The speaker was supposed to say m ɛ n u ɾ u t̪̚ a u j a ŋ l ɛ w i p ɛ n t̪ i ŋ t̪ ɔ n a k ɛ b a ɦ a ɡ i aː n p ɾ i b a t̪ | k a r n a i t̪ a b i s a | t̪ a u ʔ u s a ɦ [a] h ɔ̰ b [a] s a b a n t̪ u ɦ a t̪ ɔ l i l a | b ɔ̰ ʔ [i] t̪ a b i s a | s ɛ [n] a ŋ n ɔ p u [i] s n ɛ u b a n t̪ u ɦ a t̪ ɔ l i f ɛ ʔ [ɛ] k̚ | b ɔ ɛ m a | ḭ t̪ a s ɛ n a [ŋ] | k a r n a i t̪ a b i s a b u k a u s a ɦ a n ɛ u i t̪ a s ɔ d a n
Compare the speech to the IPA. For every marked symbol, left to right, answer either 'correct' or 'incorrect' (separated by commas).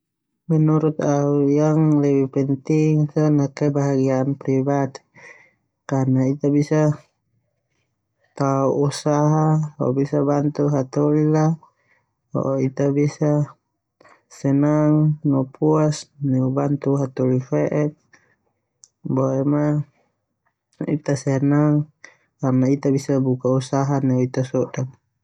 correct, incorrect, correct, correct, incorrect, correct, correct